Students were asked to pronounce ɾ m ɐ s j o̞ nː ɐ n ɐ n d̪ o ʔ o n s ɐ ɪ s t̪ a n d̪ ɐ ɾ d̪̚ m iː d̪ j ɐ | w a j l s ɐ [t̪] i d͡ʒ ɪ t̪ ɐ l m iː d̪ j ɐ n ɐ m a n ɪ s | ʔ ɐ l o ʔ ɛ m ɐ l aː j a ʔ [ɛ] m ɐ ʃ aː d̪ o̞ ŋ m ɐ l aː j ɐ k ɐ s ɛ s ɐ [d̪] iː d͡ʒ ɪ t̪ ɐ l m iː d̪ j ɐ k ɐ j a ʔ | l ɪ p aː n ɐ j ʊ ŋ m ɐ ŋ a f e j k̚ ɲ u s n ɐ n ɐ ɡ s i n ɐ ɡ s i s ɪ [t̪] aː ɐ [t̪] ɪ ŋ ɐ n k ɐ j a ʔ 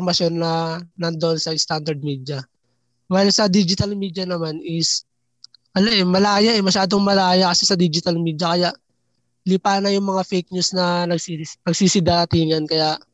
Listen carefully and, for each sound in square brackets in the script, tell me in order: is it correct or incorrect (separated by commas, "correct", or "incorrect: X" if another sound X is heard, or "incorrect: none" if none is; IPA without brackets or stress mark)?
incorrect: d̪, correct, correct, incorrect: d̪, correct